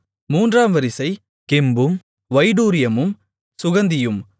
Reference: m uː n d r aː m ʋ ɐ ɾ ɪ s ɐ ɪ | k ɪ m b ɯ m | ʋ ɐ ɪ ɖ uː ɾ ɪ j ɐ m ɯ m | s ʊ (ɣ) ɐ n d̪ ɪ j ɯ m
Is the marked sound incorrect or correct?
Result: correct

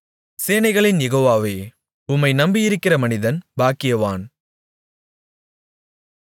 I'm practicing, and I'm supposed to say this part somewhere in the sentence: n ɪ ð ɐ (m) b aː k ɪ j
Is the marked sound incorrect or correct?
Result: incorrect: n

